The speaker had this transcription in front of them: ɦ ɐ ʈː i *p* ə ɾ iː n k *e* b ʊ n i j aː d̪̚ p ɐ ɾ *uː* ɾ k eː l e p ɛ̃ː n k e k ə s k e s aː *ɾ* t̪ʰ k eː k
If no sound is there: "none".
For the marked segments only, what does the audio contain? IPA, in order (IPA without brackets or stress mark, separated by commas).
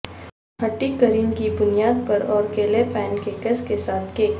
k, i, ɔː, none